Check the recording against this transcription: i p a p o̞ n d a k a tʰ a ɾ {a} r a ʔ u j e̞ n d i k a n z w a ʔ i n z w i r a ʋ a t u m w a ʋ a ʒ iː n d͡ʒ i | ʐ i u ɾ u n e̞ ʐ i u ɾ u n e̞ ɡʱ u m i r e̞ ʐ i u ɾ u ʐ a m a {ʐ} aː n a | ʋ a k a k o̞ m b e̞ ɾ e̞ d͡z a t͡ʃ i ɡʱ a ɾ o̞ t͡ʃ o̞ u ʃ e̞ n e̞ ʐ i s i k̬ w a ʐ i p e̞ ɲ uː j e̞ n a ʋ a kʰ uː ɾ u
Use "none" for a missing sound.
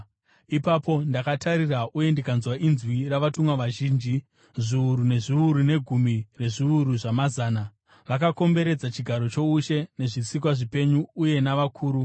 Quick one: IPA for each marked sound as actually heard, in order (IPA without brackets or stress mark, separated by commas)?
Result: i, z